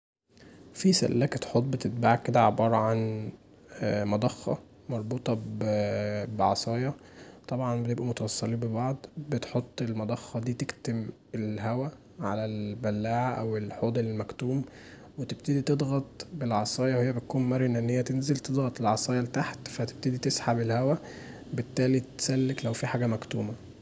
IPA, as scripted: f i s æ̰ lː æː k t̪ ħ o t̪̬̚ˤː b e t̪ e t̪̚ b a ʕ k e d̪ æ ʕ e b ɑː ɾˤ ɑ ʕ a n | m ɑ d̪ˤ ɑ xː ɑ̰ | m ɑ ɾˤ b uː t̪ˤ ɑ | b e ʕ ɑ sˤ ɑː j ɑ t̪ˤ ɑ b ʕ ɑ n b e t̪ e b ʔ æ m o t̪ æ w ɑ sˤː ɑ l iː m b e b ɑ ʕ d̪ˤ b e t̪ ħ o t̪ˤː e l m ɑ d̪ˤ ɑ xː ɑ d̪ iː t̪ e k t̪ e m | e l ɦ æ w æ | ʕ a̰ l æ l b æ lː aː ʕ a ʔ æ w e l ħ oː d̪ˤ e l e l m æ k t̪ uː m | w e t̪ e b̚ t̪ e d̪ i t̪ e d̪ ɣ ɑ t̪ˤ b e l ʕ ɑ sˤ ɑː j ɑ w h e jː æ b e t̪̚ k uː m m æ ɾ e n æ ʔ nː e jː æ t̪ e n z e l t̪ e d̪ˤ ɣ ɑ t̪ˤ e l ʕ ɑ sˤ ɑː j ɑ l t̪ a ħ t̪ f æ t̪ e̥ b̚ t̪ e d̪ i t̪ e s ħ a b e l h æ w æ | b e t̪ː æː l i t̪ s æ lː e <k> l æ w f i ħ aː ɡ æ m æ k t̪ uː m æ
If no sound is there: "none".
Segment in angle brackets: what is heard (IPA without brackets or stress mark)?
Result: k